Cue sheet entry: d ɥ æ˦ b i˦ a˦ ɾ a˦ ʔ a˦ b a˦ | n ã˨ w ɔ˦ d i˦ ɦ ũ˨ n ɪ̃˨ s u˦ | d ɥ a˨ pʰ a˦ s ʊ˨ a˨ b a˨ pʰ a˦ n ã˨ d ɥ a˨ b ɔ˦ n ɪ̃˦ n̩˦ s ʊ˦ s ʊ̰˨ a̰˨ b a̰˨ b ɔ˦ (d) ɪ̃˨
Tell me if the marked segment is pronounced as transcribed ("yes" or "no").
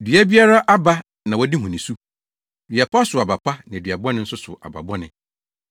no